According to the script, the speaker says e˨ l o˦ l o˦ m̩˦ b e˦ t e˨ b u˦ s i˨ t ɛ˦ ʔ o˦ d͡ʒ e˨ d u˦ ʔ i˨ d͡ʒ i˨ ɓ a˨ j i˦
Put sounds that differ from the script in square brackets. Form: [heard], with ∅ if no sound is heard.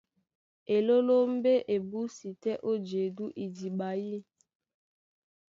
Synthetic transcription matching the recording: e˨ l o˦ l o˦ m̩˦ b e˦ [ʔ] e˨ b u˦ s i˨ t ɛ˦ ʔ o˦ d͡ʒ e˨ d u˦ ʔ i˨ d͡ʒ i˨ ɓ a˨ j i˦

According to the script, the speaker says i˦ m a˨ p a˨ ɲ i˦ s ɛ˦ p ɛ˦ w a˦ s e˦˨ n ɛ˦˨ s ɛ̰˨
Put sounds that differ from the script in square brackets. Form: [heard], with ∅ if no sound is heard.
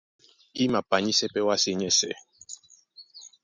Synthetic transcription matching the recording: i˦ m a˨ p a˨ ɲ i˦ s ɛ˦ p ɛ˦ w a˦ s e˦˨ [ɲ] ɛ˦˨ s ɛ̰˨

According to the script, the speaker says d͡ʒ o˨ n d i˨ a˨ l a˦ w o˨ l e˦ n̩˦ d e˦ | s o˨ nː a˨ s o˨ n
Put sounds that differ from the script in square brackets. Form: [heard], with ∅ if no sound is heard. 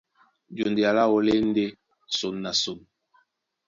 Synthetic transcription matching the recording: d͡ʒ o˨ n d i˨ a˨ l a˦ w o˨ l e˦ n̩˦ d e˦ | s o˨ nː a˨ s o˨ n

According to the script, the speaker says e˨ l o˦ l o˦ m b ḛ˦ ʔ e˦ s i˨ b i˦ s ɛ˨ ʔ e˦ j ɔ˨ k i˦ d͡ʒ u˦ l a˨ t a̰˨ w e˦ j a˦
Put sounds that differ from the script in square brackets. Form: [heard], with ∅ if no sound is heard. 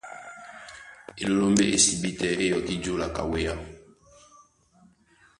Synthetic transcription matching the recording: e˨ l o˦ l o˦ m b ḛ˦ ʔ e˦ s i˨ b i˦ [t] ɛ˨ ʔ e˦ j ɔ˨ k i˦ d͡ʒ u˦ l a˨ [k] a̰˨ w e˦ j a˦

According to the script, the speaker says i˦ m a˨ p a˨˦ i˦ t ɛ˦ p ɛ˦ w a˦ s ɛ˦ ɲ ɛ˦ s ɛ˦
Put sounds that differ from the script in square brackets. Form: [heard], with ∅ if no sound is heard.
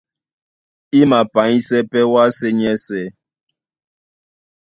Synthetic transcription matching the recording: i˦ m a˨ p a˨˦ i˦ [s] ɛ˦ p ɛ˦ w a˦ s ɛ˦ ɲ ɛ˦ s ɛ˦

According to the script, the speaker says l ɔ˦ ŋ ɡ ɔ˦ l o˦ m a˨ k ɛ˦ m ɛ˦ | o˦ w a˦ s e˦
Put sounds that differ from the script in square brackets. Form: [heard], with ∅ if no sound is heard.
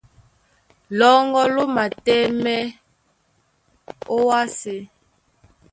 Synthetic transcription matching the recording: l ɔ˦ ŋ ɡ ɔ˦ l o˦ m a˨ [t] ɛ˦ m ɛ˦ | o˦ w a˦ s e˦

